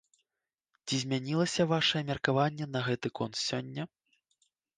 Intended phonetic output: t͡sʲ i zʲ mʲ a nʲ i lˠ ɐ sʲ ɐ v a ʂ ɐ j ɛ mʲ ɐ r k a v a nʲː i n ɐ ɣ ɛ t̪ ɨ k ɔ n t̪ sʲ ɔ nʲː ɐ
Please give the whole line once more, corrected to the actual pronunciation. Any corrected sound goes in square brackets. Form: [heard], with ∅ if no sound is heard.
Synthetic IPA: t͡sʲ i zʲ mʲ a nʲ i lˠ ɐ sʲ ɐ v a ʂ ɐ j ɛ mʲ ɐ r k a v a nʲː [ɛ] n ɐ ɣ ɛ t̪ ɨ k ɔ n t̪ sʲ ɔ nʲː ɐ